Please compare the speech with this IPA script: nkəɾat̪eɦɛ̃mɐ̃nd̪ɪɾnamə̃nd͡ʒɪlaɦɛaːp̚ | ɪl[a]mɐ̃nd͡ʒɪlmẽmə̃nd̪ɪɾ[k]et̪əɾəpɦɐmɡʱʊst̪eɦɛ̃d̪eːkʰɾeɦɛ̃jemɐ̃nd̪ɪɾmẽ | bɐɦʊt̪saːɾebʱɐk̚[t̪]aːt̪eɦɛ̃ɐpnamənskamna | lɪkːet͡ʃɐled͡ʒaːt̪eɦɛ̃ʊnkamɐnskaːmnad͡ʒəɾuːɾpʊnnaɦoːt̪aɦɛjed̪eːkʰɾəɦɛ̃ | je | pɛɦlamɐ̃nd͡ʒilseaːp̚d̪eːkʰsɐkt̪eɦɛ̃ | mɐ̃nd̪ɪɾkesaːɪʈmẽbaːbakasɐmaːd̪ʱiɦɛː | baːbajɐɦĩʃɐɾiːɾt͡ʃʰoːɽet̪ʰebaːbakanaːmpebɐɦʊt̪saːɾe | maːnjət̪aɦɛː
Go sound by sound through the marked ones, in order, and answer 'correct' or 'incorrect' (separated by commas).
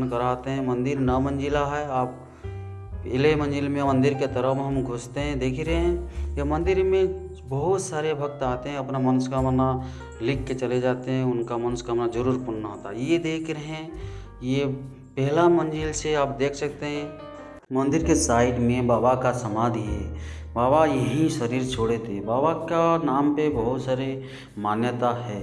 incorrect, correct, correct